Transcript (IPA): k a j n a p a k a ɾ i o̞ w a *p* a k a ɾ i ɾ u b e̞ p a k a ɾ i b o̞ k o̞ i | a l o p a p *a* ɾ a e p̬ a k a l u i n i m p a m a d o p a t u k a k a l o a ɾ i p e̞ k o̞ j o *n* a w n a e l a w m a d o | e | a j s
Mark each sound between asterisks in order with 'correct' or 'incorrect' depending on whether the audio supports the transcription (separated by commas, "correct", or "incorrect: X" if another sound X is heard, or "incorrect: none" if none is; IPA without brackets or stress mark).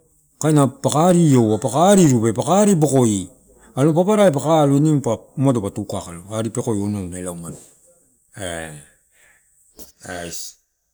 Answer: correct, correct, correct